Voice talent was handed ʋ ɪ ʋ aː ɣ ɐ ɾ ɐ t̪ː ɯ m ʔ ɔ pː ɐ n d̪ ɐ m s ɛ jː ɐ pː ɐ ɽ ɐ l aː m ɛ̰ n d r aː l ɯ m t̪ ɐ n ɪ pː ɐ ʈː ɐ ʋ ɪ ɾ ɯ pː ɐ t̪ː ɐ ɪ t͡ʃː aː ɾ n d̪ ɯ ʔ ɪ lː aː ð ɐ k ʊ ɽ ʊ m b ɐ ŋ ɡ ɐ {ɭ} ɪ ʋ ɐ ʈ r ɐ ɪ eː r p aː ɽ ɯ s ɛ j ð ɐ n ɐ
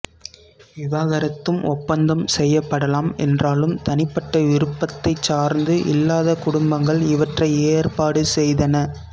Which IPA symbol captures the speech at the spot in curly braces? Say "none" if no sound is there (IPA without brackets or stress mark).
ɭ